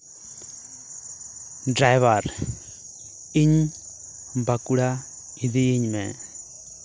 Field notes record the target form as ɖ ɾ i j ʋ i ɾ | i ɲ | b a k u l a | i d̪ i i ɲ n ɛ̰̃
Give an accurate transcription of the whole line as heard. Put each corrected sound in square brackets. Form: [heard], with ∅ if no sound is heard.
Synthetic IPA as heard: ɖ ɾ [a] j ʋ [a] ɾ | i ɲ | b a k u [ɽ] a | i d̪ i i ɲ [m] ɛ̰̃